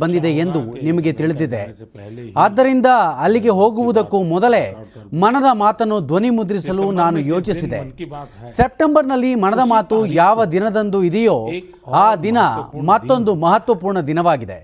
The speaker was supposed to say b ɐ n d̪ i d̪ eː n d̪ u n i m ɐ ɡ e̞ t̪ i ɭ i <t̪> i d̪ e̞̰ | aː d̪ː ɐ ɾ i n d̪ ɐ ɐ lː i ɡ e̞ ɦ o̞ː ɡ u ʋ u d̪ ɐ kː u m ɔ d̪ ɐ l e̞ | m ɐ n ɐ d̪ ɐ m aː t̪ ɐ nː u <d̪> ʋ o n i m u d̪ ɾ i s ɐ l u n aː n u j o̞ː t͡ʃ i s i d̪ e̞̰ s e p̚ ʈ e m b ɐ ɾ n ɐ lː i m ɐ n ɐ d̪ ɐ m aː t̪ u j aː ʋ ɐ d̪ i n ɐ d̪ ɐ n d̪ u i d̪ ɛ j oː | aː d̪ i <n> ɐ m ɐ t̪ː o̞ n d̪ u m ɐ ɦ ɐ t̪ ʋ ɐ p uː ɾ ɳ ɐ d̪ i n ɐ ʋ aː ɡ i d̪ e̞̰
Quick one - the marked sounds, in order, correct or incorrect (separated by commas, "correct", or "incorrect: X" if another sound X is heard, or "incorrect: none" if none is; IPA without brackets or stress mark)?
incorrect: d̪, correct, correct